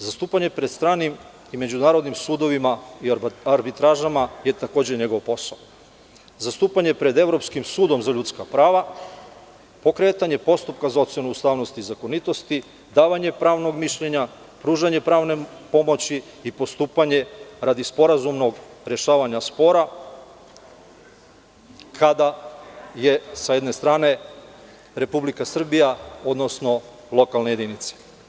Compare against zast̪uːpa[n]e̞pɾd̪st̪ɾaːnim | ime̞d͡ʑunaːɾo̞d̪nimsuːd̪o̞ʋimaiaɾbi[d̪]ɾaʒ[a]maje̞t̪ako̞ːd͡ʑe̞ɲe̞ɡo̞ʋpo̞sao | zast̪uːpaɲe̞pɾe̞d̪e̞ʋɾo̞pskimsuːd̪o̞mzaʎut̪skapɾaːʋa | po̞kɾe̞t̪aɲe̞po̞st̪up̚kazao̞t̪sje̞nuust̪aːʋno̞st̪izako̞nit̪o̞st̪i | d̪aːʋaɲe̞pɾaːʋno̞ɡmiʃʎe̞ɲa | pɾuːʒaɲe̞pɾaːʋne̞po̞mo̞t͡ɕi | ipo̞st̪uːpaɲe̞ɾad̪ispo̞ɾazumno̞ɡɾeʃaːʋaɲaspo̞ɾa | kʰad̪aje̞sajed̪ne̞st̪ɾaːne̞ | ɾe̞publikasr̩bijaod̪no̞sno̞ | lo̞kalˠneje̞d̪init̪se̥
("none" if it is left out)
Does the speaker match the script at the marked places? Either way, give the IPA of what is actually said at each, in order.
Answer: ɲ, t̪, a

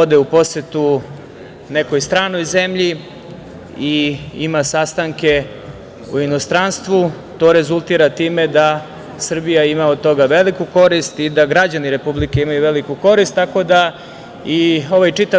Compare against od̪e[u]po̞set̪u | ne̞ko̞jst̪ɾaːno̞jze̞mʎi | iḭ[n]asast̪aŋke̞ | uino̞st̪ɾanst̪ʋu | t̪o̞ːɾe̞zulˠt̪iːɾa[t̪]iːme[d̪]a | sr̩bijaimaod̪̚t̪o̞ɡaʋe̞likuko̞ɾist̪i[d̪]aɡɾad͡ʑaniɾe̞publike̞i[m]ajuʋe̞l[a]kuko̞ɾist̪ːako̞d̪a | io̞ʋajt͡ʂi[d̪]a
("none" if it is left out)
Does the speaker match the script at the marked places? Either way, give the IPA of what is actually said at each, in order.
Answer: u, m, t̪, d̪, d̪, m, i, t̪

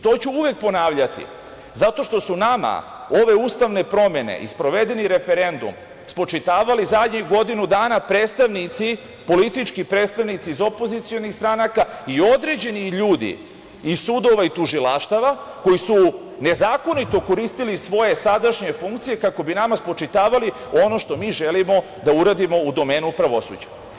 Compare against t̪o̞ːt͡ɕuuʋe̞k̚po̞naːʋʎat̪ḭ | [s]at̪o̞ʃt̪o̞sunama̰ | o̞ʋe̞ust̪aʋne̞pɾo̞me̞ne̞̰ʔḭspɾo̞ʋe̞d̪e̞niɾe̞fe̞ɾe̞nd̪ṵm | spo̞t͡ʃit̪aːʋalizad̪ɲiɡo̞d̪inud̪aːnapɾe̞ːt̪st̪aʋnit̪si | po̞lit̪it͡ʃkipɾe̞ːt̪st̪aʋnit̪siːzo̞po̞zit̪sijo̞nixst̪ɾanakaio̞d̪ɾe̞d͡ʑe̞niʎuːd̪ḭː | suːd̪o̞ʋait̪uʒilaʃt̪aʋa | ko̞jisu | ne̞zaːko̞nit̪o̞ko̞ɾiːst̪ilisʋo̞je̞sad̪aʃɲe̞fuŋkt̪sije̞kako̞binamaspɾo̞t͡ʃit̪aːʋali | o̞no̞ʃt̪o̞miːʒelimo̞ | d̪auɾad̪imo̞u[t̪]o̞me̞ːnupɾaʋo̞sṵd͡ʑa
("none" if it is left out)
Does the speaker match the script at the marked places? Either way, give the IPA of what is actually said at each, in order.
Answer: z, d̪

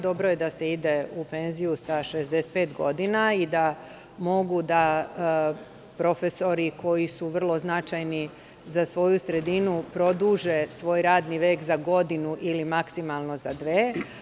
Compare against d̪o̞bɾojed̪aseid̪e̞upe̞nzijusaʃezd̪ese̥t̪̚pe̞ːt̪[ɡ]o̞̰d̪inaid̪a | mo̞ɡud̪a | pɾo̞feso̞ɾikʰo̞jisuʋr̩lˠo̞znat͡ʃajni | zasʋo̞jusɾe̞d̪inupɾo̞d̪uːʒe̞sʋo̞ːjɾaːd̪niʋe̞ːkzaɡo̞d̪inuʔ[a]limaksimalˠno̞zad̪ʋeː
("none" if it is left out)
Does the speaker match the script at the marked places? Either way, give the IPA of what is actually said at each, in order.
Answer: ɡ, i

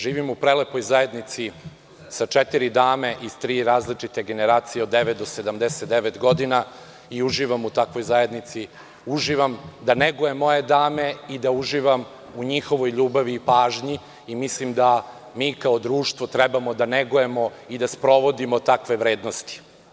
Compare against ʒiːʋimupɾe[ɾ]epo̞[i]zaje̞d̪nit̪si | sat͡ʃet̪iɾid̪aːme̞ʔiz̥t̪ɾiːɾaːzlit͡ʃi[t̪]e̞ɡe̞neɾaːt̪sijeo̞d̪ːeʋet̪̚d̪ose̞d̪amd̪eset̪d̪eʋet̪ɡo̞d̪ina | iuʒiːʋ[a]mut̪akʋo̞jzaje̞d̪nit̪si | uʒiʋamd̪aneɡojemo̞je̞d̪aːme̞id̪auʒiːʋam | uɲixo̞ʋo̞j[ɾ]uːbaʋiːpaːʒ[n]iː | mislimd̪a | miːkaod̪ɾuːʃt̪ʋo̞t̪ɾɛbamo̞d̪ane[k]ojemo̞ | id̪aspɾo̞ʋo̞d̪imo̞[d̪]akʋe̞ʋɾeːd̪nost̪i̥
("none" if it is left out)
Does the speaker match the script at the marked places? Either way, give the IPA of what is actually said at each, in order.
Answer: l, j, t̪, a, ʎ, ɲ, ɡ, t̪

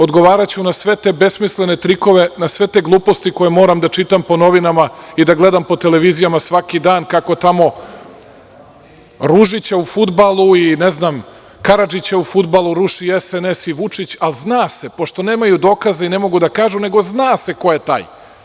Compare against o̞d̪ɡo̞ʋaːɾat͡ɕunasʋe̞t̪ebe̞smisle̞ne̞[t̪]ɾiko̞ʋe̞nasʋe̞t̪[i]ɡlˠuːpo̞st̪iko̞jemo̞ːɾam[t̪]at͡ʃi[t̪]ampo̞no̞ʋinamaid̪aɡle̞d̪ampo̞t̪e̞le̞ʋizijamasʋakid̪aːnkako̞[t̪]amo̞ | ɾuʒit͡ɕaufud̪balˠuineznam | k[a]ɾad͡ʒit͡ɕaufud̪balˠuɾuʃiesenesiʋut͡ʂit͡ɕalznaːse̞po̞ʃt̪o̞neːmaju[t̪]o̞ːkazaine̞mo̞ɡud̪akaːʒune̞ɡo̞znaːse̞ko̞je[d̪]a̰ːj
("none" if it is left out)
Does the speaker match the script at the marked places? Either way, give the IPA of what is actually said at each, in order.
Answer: t̪, e, d̪, t̪, t̪, a, d̪, t̪

